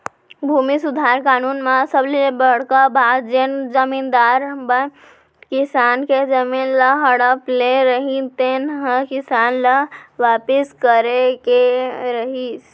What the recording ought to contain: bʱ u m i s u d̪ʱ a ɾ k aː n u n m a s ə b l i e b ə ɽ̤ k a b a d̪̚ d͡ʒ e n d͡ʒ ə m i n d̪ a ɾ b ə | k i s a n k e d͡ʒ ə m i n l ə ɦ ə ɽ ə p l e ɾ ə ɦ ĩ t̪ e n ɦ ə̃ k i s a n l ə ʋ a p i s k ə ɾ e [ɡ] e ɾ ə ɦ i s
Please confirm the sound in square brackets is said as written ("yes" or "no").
no